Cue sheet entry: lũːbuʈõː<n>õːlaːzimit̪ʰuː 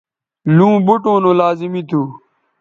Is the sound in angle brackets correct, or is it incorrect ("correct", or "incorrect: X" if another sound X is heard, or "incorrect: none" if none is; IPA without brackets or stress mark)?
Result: correct